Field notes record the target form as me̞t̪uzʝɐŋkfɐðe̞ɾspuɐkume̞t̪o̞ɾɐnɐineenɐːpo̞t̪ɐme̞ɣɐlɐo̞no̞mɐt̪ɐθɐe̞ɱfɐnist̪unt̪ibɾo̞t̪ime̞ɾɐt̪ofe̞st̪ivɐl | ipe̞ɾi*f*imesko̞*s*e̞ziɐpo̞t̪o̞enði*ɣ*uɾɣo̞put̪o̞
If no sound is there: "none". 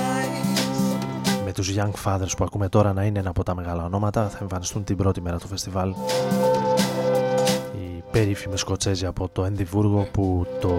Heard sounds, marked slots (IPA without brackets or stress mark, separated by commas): f, t͡s, v